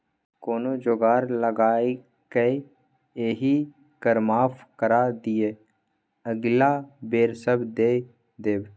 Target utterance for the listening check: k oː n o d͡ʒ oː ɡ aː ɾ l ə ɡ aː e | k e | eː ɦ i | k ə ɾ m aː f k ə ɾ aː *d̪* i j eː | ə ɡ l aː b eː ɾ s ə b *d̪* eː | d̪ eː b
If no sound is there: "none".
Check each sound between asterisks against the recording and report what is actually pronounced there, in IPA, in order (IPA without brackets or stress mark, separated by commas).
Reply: d̪, d̪